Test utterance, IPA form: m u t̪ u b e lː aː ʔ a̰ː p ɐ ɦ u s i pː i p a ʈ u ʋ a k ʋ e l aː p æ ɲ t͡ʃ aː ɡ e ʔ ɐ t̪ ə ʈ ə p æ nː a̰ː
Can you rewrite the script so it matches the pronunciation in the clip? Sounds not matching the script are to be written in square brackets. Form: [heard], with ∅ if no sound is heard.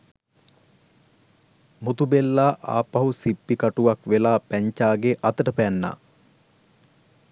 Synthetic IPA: m u t̪ u b e lː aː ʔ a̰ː p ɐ ɦ u s i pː i [k] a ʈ u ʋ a k ʋ e l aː p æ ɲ t͡ʃ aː ɡ e ʔ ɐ t̪ ə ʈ ə p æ nː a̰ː